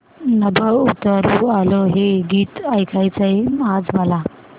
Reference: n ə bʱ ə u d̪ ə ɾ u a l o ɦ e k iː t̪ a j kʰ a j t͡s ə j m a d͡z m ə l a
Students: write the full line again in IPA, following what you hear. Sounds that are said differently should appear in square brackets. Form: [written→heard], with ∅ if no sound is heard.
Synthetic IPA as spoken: n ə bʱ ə u [d̪→t̪] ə ɾ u a l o ɦ e [k→ɡ] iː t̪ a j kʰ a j t͡s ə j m a d͡z m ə l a

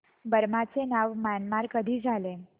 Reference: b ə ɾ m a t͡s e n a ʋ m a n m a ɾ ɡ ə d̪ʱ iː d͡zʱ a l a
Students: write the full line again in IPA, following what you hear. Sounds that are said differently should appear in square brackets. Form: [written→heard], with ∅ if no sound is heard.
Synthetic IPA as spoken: b ə ɾ m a t͡s e n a ʋ m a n m a ɾ [ɡ→k] ə d̪ʱ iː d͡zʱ a l [a→e]

